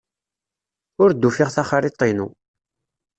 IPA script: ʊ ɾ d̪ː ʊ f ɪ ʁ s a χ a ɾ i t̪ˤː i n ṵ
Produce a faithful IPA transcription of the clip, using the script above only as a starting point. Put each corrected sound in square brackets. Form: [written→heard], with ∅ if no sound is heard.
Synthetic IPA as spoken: ʊ ɾ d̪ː [ʊ→u] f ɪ ʁ [s→θ] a χ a ɾ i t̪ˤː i n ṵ